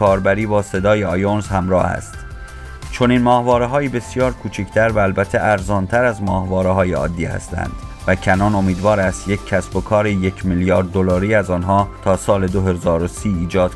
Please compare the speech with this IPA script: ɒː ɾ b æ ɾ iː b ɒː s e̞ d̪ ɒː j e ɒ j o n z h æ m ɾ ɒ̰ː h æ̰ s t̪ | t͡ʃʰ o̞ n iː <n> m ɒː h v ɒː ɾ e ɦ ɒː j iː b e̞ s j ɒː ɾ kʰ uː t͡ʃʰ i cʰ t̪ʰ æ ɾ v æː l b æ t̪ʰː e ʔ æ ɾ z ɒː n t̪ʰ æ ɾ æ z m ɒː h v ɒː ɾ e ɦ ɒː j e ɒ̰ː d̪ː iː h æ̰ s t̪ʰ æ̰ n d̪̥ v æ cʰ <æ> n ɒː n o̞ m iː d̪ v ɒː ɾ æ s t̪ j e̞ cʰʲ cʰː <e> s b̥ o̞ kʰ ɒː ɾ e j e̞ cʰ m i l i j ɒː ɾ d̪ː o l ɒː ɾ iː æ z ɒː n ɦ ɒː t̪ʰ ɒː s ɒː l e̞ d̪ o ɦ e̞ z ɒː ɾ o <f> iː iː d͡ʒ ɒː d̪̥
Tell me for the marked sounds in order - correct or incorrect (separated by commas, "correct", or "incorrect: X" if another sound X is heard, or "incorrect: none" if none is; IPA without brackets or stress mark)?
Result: correct, correct, incorrect: æ, incorrect: s